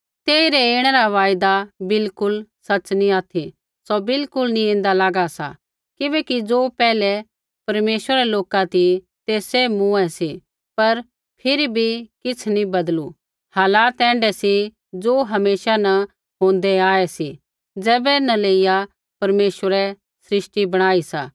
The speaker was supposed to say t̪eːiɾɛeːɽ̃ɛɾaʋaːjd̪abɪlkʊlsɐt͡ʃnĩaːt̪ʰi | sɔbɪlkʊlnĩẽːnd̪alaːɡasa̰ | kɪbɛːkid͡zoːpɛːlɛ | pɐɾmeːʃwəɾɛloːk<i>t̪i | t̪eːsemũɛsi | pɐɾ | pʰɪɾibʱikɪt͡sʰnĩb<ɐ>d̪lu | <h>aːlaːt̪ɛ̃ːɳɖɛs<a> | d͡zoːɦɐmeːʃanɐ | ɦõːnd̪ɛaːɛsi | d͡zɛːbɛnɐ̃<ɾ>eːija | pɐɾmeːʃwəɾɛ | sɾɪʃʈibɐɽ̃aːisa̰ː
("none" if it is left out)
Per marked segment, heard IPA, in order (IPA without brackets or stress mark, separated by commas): a, ɐ, h, i, l